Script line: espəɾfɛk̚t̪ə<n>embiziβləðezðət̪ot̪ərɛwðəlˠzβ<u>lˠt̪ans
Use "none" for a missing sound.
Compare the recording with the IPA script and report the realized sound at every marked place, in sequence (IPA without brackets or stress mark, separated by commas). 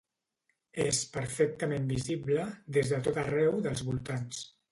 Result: m, u